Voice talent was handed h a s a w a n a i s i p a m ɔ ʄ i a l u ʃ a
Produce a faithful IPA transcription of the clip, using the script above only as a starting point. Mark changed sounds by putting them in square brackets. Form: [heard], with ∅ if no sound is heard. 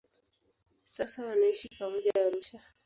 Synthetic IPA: [s] a s a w a n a i [ʃ] i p a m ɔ ʄ [a] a [ɾ] u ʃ a